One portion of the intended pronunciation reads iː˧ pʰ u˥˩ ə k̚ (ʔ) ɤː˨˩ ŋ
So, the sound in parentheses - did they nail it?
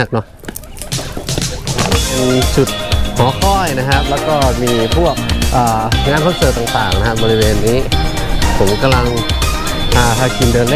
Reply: yes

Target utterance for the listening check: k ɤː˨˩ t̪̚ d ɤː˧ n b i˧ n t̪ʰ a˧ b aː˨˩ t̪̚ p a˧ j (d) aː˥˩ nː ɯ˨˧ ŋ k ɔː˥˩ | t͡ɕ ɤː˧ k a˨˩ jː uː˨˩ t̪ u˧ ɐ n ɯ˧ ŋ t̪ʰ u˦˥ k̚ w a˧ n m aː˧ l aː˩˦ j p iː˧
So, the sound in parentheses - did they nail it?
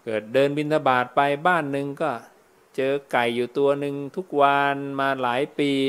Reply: no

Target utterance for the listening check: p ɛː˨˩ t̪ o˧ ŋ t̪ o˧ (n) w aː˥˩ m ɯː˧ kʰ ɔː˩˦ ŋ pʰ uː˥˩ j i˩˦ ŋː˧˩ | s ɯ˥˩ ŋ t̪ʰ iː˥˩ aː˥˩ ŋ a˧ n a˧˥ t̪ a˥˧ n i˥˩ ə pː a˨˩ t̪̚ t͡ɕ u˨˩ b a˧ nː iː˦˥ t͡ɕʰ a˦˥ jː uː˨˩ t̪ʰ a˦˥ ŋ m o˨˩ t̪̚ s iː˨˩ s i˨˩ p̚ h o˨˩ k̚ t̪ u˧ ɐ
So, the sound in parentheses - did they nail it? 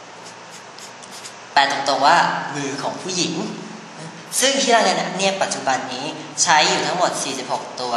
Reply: no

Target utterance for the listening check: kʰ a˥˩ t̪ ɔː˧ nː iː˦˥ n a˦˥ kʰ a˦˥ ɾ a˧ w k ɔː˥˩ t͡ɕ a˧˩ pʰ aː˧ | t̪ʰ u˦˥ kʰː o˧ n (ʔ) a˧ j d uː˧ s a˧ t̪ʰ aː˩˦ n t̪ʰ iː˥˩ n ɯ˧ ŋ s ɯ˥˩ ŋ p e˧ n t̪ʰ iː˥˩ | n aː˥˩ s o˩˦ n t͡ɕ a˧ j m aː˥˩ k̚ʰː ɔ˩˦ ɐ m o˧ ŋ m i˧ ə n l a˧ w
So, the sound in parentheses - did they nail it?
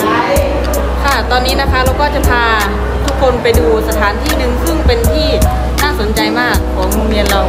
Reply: no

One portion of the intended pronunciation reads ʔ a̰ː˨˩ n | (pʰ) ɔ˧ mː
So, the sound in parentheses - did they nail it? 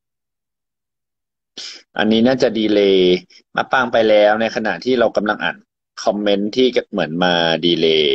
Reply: no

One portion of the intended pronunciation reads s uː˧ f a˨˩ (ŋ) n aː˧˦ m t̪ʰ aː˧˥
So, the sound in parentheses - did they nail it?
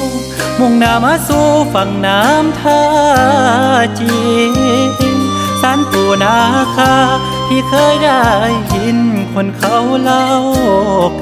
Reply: yes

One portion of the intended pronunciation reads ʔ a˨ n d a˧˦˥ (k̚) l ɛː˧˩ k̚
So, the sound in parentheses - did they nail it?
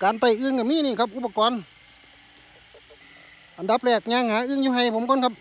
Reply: no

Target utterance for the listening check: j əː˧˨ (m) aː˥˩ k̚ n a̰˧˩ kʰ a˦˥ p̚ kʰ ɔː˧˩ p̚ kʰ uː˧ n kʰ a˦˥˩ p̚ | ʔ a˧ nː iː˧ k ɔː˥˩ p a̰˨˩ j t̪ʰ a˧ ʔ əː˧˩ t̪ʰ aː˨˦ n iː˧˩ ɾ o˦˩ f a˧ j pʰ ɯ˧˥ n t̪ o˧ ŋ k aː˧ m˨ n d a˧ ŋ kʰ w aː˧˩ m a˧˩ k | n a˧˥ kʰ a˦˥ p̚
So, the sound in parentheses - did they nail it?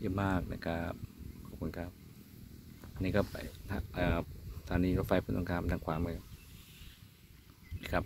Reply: yes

